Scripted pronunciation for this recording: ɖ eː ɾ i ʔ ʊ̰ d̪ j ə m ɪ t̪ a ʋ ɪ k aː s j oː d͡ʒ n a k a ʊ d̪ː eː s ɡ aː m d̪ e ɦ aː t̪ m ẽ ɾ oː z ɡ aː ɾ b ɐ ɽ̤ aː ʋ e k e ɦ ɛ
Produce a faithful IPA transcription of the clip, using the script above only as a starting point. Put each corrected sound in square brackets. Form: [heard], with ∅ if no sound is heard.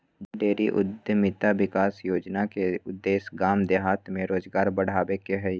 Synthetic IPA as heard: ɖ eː ɾ i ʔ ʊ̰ d̪ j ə m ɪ t̪ a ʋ ɪ k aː s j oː d͡ʒ n a k [e] ʊ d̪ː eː s ɡ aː m d̪ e ɦ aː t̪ m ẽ ɾ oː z ɡ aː ɾ b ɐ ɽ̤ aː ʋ e k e ɦ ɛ